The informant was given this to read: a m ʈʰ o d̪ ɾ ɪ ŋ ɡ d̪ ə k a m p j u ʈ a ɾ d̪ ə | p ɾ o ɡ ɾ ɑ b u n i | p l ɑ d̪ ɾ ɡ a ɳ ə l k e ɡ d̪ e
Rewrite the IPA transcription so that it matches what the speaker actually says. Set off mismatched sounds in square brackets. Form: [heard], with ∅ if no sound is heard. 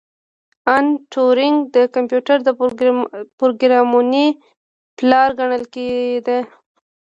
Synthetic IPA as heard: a [n] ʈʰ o [∅] ɾ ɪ ŋ ɡ d̪ ə k a m p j u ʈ a ɾ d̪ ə | p ɾ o ɡ ɾ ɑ [m] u n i | p l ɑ [∅] ɾ ɡ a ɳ ə l k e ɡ d̪ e